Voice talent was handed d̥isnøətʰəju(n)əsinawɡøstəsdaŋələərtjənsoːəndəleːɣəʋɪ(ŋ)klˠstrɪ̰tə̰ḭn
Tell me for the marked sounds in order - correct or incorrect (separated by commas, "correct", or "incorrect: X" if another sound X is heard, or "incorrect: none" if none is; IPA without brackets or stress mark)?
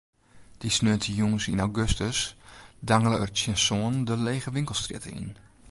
incorrect: ŋ, correct